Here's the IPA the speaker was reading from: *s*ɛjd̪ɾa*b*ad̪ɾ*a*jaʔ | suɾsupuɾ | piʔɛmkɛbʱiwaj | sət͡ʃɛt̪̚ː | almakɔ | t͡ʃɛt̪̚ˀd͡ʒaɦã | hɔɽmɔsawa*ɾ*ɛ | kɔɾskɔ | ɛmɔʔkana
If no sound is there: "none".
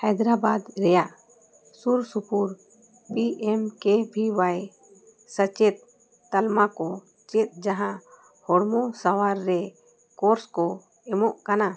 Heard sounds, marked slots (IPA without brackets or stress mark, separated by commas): h, b, ɛ, ɾː